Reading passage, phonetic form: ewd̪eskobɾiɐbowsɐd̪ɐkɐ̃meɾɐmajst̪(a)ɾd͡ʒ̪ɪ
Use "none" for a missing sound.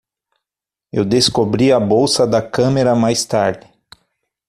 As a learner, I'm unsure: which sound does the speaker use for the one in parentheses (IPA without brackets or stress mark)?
a